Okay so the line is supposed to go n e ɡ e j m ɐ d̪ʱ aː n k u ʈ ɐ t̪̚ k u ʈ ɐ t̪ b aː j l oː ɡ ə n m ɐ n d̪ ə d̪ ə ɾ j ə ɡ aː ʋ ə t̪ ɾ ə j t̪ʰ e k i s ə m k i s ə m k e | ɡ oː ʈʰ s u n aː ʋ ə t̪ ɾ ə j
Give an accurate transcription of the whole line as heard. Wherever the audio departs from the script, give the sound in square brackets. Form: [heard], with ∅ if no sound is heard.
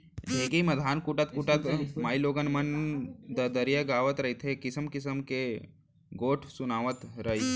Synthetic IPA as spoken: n e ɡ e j m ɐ d̪ʱ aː n k u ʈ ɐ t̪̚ k u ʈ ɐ t̪ [m] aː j l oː ɡ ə n m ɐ n d̪ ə d̪ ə ɾ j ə ɡ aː ʋ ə t̪ ɾ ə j t̪ʰ e k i s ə m k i s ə m k e | ɡ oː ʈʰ s u n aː ʋ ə t̪ ɾ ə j

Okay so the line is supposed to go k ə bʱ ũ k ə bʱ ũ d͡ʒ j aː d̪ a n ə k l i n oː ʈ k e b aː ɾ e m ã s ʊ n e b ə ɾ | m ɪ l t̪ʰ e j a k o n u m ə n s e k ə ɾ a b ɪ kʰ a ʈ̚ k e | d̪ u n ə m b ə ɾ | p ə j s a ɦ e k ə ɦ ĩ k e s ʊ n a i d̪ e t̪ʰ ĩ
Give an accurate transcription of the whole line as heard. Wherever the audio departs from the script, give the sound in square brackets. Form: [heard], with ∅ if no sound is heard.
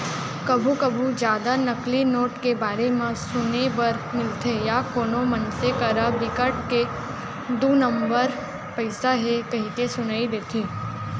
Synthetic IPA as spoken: k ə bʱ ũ k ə bʱ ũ d͡ʒ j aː d̪ a n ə k l i n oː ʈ k e b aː ɾ e m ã s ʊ n e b ə ɾ | m ɪ l t̪ʰ e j a k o n [o] m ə n s e k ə ɾ a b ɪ [k] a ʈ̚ k e | d̪ u n ə m b ə ɾ | p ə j s a ɦ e k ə ɦ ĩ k e s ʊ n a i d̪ e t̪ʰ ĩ

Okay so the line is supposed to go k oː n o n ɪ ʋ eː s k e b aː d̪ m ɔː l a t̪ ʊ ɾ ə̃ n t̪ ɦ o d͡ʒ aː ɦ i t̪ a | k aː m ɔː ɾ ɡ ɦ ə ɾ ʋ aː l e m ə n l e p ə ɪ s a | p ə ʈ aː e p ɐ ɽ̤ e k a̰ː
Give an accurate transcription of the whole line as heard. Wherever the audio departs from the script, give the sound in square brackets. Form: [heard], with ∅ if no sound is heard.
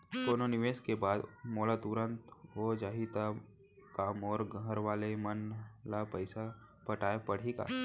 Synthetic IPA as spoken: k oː n o n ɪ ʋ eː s k e b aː d̪ m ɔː l a t̪ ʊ ɾ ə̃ n t̪ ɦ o d͡ʒ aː ɦ i t̪ a | k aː m ɔː ɾ ɡ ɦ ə ɾ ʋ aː l e m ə n l [a] p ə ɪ s a | p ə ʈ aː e p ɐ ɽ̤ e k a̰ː

